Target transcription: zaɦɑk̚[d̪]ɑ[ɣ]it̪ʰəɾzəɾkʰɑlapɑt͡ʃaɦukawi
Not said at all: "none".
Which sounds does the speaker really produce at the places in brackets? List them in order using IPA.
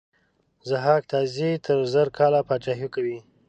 t̪, z

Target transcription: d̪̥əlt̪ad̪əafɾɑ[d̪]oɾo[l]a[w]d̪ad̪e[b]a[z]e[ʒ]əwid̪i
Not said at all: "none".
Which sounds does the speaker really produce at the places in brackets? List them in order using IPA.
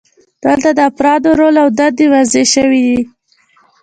d̪, l, w, w, z, ʃ

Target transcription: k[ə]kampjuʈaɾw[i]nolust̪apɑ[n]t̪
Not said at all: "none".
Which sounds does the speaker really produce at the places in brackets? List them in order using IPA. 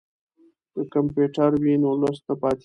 ə, i, none

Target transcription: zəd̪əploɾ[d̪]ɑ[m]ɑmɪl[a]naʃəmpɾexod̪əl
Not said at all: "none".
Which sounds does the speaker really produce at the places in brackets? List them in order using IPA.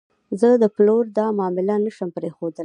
d̪, m, a

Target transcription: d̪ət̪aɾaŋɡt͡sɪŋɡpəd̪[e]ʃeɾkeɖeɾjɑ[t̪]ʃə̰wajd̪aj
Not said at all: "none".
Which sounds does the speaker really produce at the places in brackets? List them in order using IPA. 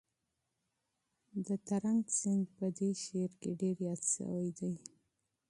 e, t̪

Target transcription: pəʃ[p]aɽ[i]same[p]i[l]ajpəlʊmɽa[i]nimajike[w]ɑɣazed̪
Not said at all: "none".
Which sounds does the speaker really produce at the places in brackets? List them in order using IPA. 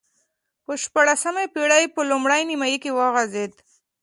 p, a, p, ɽ, j, w

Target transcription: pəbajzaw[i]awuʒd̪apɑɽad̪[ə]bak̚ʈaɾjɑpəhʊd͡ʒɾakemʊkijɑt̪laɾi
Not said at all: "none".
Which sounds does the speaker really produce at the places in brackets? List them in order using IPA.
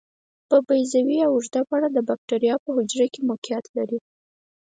i, ə

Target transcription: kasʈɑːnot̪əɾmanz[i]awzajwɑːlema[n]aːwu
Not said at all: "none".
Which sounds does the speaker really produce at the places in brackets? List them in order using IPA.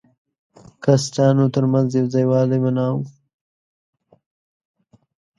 j, n

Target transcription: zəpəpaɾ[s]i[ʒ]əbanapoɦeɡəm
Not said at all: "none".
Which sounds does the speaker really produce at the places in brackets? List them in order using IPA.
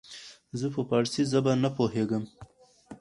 s, z

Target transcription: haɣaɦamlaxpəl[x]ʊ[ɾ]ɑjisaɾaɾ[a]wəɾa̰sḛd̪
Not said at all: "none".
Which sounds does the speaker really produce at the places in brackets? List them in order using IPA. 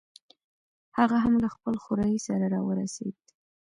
x, ɾ, ɑ

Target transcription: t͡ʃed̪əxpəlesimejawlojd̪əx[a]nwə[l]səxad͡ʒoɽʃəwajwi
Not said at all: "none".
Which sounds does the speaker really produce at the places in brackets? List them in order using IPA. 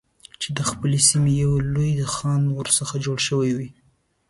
ɑ, ɾ

